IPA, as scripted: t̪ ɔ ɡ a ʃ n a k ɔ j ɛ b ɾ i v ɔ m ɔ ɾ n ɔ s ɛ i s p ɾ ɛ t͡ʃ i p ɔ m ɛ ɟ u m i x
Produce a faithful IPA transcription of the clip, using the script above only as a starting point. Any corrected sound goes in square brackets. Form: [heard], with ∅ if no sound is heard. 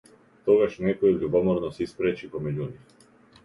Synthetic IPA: t̪ ɔ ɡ a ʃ n [ɛ] k ɔ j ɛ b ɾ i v ɔ m ɔ ɾ n ɔ s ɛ i s p ɾ ɛ t͡ʃ i p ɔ m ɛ ɟ u [n] i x